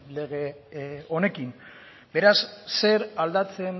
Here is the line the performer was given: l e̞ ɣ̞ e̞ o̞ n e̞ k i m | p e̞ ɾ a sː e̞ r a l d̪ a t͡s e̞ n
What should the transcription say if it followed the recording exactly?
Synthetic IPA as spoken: l e̞ ɣ̞ e̞ o̞ n e̞ k i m | b e̞ ɾ a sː e̞ ɾ a l d̪ a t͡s e̞ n